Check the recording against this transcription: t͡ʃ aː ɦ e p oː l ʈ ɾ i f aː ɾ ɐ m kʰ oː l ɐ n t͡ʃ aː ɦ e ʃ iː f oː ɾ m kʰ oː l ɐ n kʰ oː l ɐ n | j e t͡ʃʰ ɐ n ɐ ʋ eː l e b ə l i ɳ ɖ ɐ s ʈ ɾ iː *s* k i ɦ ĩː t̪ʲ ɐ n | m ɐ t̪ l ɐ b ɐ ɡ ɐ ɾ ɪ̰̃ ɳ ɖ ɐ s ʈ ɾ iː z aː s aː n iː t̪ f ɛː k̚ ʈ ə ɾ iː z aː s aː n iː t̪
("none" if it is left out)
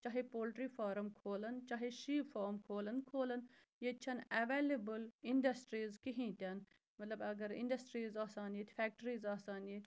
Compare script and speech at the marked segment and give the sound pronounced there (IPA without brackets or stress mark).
z